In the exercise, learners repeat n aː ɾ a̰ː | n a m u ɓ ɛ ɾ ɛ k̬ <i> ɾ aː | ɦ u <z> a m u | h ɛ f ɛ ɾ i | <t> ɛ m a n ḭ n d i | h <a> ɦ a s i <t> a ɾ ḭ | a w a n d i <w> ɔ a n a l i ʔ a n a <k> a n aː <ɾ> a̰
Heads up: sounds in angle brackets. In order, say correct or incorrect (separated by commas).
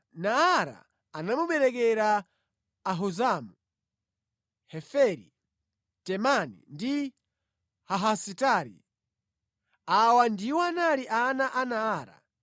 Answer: incorrect, correct, correct, correct, correct, correct, incorrect, correct